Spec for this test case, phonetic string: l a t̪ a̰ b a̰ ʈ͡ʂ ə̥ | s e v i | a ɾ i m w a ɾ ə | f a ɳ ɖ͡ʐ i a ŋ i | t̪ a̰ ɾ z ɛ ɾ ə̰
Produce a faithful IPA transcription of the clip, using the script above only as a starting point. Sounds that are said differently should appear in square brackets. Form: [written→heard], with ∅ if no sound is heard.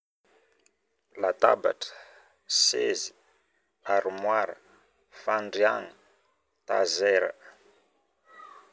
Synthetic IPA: l a t̪ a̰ b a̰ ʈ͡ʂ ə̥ | s e [v→z] i | a ɾ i m w a ɾ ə | f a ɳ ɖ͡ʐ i a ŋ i | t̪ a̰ [ɾ→∅] z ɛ ɾ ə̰